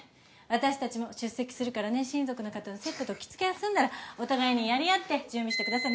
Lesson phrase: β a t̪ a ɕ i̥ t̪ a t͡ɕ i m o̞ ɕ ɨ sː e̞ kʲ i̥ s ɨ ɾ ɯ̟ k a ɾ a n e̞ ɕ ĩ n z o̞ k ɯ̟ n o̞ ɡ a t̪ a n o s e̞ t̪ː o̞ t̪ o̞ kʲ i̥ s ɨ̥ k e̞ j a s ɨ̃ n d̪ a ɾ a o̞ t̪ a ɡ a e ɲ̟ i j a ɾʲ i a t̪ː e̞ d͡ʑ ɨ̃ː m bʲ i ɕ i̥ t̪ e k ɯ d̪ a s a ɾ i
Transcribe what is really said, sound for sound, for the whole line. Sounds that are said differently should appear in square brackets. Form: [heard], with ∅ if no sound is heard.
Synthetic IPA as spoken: β a t̪ a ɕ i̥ t̪ a t͡ɕ i m o̞ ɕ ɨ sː e̞ kʲ i̥ s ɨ ɾ ɯ̟ k a ɾ a n e̞ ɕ ĩ n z o̞ k ɯ̟ n o̞ [k] a t̪ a n o s e̞ t̪ː o̞ t̪ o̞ kʲ i̥ [t͡s] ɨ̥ k e̞ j a s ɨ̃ n d̪ a ɾ a o̞ t̪ a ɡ a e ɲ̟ i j a ɾʲ i a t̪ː e̞ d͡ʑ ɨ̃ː m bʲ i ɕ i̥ t̪ e k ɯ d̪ a s a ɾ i

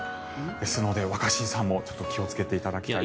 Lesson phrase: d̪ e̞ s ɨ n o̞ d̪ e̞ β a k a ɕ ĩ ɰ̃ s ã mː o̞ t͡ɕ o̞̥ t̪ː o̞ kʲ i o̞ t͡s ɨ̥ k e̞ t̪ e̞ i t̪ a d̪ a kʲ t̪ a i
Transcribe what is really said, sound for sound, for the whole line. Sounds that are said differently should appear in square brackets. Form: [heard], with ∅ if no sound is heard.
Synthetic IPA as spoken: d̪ e̞ s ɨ n o̞ d̪ e̞ β a k a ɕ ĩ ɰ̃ s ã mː o̞ t͡ɕ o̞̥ t̪ː o̞ kʲ i o̞ t͡s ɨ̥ k e̞ t̪ e̞ i t̪ a d̪ a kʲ t̪ a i

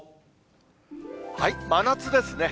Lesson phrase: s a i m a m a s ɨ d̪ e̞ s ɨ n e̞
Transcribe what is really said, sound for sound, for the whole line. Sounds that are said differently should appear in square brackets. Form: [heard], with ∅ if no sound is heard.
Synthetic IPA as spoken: [h] a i m a [n] a [t͡s] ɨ d̪ e̞ s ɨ n e̞

